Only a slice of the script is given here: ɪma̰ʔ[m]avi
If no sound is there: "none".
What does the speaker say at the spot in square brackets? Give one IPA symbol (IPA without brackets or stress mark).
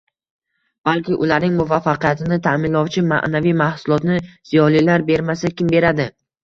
n